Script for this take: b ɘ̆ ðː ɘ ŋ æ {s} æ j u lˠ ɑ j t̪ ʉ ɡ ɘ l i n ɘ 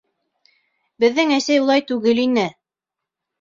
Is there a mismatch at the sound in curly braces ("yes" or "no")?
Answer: no